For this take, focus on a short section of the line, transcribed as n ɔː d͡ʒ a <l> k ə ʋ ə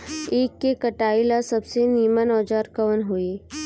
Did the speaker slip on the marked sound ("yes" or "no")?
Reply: yes